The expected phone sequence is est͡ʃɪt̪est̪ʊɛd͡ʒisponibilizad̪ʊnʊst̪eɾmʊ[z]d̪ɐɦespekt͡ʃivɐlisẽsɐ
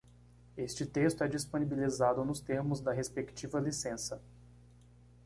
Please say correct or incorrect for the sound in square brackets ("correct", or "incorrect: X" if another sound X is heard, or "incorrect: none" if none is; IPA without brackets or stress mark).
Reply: correct